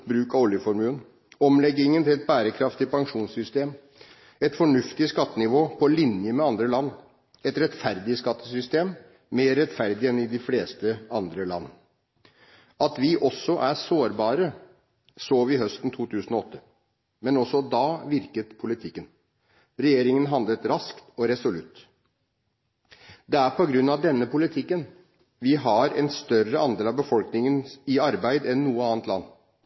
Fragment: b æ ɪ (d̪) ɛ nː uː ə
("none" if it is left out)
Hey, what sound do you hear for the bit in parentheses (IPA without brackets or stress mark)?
d̪